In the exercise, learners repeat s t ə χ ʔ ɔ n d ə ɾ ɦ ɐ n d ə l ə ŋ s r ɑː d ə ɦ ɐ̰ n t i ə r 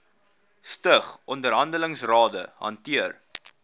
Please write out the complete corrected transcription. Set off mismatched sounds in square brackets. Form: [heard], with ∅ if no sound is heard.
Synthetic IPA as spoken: s t ə χ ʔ ɔ n d ə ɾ ɦ ɐ n d ə l ə ŋ s r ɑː d ə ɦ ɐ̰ n t i ə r